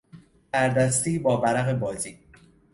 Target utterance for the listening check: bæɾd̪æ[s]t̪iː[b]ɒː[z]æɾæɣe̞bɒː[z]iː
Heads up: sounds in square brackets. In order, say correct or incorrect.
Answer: correct, correct, incorrect: v, correct

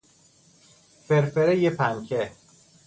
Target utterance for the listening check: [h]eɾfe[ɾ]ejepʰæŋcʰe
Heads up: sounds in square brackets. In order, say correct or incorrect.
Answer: incorrect: f, correct

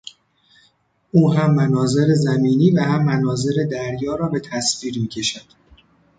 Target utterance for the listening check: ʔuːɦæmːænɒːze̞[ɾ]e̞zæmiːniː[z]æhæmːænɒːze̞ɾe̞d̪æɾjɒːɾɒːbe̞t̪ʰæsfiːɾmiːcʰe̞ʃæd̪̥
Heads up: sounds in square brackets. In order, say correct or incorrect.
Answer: correct, incorrect: v

